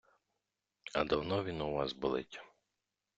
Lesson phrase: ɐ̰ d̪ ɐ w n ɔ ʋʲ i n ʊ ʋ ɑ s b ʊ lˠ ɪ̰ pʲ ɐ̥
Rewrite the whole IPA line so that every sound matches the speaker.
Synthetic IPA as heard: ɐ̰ d̪ ɐ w n ɔ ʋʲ i n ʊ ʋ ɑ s b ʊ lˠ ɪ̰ tʲ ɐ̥